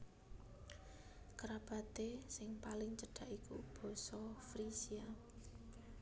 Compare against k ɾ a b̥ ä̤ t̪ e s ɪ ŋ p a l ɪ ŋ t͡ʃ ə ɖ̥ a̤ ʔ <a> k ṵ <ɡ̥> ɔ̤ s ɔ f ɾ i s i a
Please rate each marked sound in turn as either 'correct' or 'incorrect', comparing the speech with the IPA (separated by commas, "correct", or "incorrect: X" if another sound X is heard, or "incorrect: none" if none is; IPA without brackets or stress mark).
incorrect: i, incorrect: b̥